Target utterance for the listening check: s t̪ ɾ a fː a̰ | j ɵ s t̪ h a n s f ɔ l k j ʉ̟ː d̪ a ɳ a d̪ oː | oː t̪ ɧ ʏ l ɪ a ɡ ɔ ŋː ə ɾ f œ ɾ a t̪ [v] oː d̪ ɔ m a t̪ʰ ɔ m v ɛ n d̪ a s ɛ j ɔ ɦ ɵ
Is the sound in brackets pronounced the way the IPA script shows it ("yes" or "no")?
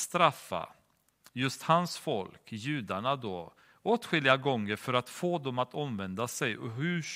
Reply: no